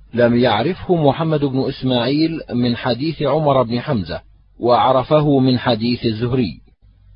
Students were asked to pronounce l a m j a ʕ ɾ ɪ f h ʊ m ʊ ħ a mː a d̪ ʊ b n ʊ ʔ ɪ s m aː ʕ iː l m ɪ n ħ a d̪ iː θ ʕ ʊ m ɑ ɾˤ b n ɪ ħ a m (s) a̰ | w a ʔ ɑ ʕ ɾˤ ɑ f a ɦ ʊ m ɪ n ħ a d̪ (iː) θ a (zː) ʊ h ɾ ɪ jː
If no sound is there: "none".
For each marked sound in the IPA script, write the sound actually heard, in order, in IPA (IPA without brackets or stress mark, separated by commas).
z, iː, zː